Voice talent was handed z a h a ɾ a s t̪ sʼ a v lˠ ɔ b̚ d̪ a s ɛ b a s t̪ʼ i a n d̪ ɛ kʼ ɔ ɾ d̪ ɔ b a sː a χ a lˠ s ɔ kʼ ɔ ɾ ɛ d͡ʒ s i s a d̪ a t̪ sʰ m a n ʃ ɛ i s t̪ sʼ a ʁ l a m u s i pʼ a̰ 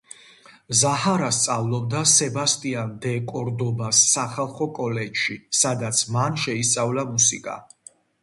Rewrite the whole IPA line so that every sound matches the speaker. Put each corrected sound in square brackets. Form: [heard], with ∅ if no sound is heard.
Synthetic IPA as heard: z a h a ɾ a s t̪ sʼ a v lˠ ɔ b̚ d̪ a s ɛ b a s t̪ʼ i a n d̪ ɛ kʼ ɔ ɾ d̪ ɔ b a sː a χ a lˠ [χ] ɔ kʼ ɔ [l] ɛ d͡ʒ [ʃ] i s a d̪ a t̪ sʰ m a n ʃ ɛ i s t̪ sʼ a [v] l a m u s i [kʼ] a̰